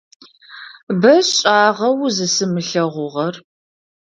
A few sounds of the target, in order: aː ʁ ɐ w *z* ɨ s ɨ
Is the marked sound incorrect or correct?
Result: correct